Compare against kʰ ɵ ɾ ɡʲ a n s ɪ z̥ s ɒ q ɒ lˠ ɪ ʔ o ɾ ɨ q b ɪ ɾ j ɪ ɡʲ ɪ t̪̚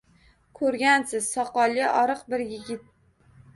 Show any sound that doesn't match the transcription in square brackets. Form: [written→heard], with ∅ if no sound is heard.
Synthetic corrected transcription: kʰ ɵ ɾ ɡʲ a n s ɪ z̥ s ɒ q ɒ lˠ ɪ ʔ [o→ɒ] ɾ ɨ q b ɪ ɾ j ɪ ɡʲ ɪ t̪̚